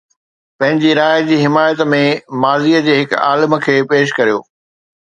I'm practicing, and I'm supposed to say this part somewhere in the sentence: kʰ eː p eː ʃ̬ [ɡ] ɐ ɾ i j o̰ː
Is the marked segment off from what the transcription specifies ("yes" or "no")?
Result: yes